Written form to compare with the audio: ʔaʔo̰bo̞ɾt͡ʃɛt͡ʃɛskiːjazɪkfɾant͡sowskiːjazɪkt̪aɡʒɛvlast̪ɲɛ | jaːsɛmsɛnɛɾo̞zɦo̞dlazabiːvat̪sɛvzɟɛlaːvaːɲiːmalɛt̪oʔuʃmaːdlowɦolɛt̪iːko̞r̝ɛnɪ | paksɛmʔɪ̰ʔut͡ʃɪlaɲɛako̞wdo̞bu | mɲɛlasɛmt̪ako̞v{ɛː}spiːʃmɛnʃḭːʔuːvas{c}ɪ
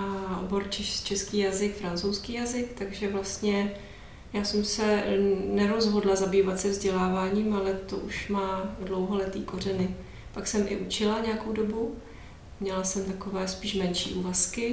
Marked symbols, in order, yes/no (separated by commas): yes, no